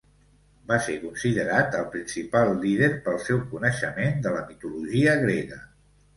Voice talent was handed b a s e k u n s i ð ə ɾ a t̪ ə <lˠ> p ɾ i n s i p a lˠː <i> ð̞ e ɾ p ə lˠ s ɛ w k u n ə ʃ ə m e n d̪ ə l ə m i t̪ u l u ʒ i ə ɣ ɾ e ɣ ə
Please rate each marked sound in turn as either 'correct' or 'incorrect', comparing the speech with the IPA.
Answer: correct, correct

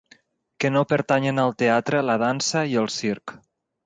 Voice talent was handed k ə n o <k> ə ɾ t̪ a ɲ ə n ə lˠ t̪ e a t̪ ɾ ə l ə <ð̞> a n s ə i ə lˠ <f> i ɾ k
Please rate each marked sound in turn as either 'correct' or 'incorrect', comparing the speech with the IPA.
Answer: incorrect, correct, incorrect

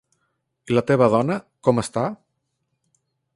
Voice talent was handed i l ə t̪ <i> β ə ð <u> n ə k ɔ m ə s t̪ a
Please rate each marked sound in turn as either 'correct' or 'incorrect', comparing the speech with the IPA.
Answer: incorrect, incorrect

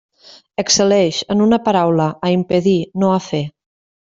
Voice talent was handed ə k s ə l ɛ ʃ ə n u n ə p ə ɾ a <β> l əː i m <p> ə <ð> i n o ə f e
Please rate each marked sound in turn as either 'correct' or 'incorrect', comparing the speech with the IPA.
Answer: incorrect, correct, correct

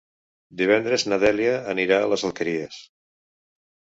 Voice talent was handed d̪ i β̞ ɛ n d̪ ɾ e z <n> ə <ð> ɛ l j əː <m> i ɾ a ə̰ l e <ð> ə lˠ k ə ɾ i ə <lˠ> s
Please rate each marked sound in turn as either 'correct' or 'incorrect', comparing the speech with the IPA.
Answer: correct, correct, incorrect, incorrect, incorrect

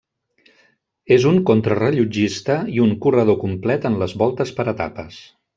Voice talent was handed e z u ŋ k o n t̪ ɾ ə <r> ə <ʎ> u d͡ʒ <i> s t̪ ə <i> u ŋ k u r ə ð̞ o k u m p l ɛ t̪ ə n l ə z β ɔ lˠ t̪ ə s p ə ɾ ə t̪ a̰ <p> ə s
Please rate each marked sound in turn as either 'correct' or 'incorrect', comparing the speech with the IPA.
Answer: correct, correct, correct, correct, correct

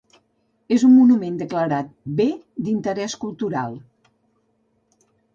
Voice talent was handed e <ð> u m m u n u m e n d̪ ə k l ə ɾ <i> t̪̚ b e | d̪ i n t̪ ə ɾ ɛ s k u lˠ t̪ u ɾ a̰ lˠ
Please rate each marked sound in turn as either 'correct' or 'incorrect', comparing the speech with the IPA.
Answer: incorrect, incorrect

